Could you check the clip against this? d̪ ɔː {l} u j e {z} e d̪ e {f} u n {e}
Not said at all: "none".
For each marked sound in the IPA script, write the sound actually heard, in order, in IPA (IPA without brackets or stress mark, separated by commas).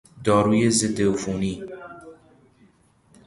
ɾ, z, f, i